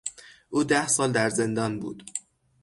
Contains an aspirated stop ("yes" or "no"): no